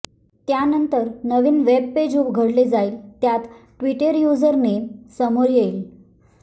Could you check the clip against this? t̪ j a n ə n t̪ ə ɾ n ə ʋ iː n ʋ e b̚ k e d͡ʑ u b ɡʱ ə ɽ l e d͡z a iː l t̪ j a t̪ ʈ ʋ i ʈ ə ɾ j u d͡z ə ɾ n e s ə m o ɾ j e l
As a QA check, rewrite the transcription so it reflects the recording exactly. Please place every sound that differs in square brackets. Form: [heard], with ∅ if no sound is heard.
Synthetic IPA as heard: t̪ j a n ə n t̪ ə ɾ n ə ʋ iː n ʋ e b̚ [p] e d͡ʑ u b ɡʱ ə ɽ l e d͡z a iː l t̪ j a t̪ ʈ ʋ i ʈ ə ɾ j u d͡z ə ɾ n e s ə m o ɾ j e l